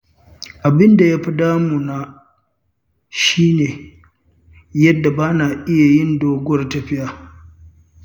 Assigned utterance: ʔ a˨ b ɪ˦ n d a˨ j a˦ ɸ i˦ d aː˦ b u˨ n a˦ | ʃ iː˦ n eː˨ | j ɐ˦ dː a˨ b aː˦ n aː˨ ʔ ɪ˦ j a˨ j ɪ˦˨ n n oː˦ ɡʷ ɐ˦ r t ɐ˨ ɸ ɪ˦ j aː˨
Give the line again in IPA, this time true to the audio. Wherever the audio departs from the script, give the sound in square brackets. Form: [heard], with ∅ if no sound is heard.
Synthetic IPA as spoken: ʔ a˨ b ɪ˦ n d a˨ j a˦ ɸ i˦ d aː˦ [m] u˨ n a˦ | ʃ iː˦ n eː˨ | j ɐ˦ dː a˨ b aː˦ n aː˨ ʔ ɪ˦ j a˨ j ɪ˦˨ n [d] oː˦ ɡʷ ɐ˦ r t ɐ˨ ɸ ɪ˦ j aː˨